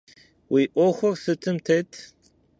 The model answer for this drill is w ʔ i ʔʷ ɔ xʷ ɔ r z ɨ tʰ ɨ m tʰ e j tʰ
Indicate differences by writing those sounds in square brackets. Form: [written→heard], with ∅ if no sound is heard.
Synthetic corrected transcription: w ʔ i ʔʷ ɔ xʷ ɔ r [z→s] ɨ tʰ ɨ m tʰ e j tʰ